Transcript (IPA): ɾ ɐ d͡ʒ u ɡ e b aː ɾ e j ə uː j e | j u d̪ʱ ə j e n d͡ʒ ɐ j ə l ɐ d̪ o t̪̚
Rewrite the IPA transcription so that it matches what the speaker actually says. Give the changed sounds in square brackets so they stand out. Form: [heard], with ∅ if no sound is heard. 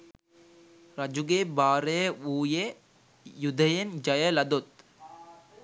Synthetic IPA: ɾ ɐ d͡ʒ u ɡ e b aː ɾ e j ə uː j e | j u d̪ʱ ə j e n d͡ʒ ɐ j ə l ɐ d̪ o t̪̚